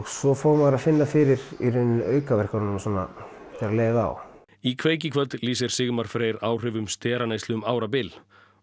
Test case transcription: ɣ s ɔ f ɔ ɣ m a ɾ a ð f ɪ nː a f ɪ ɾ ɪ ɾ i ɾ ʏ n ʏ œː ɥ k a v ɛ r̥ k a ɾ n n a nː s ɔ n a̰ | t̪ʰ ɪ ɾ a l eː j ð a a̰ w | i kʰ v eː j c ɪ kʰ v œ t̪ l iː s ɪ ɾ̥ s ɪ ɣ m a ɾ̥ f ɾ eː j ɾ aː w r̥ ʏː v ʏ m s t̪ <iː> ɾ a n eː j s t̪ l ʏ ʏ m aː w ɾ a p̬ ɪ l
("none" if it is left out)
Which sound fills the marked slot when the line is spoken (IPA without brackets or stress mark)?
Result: ɛː